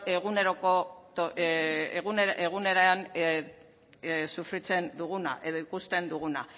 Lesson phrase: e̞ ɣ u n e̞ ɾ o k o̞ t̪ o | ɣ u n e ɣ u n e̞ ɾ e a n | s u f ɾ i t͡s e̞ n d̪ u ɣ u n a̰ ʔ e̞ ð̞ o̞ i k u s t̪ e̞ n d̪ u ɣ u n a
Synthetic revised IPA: e̞ ɣ u n e̞ ɾ o k o̞ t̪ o | ɣ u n e ɣ u n e̞ ɾ e a n | s u f ɾ i t͡s e̞ n d̪ u ɣ u n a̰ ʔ e̞ ð̞ o̞ i k u s t̪ e̞ n d̪ u ɣ u n a